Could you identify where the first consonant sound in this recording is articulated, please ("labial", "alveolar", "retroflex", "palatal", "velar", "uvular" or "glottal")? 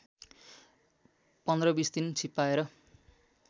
labial